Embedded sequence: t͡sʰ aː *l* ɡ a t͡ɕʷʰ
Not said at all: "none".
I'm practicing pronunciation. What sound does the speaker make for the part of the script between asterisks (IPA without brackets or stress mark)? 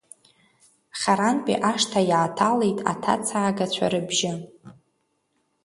none